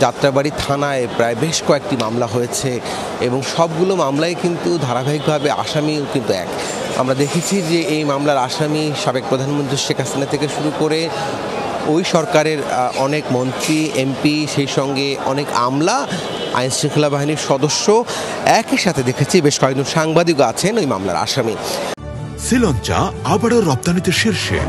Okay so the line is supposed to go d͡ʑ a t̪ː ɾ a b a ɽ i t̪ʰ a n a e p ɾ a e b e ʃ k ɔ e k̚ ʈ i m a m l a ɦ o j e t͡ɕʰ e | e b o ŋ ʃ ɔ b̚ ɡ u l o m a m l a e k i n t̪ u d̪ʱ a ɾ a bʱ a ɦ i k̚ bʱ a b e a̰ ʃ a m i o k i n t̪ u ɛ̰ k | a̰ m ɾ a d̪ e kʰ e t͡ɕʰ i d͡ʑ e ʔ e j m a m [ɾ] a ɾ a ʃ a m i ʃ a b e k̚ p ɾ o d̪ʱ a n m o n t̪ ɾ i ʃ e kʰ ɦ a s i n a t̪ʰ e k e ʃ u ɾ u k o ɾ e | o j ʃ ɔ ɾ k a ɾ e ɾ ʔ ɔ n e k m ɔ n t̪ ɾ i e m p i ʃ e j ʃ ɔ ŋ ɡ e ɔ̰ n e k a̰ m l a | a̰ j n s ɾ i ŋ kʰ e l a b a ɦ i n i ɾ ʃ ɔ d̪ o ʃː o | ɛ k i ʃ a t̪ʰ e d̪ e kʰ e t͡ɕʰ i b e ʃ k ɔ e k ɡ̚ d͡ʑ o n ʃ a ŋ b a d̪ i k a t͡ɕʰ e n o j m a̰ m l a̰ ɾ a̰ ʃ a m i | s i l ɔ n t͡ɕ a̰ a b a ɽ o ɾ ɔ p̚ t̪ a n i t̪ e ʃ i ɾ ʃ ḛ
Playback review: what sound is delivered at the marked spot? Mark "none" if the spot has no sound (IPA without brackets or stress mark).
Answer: l